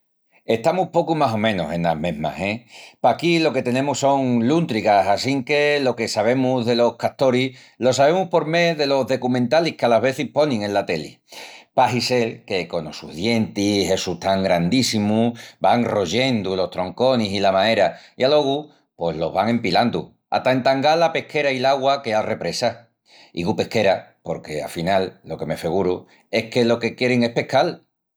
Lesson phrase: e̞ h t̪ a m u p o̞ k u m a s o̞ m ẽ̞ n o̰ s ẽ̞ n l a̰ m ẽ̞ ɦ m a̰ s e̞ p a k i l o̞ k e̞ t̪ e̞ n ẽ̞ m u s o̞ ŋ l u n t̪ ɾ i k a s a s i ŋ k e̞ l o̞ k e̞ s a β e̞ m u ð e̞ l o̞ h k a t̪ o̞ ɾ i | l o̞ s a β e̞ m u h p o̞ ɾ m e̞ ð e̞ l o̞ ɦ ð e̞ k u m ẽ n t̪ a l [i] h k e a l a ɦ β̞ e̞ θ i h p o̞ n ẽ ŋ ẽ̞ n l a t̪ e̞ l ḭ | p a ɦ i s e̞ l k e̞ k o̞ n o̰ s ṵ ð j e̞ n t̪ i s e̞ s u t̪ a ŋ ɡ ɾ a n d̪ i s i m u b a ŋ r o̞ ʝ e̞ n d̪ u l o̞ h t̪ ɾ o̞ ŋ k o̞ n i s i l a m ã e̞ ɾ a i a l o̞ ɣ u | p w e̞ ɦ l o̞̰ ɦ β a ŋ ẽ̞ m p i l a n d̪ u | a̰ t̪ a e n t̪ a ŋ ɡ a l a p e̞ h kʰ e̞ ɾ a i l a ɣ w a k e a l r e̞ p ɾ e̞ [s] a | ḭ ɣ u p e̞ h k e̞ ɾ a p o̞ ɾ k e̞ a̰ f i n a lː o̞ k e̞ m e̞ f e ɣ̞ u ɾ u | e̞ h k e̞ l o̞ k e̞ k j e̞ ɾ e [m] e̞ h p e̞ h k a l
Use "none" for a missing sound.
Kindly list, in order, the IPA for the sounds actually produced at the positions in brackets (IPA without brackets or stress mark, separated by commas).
i, s, ŋ